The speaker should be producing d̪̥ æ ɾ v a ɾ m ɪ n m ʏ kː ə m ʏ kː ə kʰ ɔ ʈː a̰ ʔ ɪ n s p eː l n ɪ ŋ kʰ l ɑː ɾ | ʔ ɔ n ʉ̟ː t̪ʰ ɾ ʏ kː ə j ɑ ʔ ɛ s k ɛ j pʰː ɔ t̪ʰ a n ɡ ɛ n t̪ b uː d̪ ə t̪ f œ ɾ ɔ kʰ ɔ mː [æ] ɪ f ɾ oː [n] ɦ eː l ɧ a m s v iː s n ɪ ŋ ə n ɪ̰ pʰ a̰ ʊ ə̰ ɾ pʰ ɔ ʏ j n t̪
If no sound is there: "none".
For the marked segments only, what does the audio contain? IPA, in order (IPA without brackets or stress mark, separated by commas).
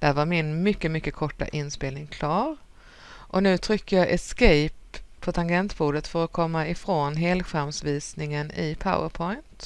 a, n